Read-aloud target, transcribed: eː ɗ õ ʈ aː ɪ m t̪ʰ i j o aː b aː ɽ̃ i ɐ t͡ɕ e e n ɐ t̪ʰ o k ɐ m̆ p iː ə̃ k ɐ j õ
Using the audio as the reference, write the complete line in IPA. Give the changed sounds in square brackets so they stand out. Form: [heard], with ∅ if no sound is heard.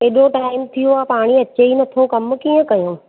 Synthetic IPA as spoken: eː ɗ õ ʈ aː ɪ m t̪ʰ i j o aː [p] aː ɽ̃ i ɐ t͡ɕ e [i] n ɐ t̪ʰ o k ɐ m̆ [k] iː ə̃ k ɐ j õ